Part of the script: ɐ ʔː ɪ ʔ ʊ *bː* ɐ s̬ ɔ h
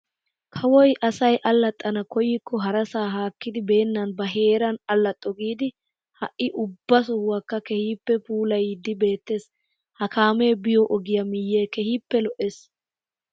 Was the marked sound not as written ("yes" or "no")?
no